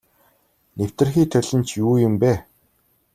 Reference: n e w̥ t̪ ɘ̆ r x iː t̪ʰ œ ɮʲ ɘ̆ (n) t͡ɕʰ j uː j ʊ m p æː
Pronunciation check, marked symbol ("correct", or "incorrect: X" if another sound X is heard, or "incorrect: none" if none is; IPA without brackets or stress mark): correct